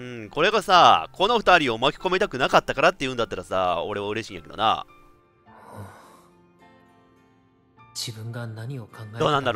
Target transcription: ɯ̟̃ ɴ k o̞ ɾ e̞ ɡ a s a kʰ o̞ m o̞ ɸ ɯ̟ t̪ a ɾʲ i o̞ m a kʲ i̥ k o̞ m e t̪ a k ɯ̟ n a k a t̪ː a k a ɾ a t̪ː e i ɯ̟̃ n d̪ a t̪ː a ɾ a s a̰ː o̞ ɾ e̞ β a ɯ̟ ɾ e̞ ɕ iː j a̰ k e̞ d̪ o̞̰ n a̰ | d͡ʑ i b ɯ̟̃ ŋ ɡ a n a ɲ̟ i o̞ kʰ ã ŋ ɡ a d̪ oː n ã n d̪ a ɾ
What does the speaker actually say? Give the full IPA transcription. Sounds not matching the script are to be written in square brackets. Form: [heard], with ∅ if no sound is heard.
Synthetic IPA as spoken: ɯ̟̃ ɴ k o̞ ɾ e̞ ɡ a s a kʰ o̞ [n] o̞ ɸ ɯ̟ t̪ a ɾʲ i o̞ m a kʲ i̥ k o̞ m e t̪ a k ɯ̟ n a k a t̪ː a k a ɾ a t̪ː e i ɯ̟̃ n d̪ a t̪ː a ɾ a s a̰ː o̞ ɾ e̞ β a ɯ̟ ɾ e̞ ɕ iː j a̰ k e̞ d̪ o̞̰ n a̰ | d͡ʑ i b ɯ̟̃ ŋ ɡ a n a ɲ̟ i o̞ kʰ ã ŋ ɡ a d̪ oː n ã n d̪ a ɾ